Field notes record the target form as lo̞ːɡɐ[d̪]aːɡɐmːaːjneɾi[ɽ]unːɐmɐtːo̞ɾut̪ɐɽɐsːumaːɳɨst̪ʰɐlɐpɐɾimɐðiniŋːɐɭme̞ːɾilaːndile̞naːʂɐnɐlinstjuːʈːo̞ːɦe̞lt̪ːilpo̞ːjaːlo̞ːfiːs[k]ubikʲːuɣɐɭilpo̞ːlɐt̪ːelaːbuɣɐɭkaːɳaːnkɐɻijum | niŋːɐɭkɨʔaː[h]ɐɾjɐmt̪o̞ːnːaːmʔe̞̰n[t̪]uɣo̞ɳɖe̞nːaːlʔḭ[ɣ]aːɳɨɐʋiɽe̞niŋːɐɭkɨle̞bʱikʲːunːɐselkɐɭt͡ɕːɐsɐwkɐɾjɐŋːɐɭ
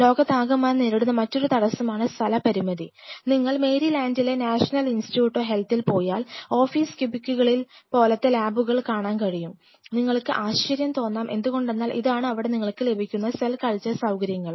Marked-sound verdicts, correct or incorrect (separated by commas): incorrect, correct, correct, incorrect, incorrect, incorrect